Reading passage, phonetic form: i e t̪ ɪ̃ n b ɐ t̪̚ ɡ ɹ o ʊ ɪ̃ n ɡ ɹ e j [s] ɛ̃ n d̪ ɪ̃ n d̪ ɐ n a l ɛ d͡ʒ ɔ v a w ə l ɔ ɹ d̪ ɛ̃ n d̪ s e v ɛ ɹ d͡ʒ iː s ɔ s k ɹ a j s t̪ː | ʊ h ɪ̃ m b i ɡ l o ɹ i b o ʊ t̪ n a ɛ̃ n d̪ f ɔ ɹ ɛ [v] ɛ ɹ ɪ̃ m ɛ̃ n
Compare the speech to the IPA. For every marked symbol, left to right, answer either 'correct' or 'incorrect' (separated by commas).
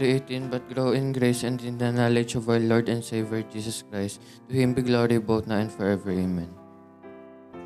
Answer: correct, correct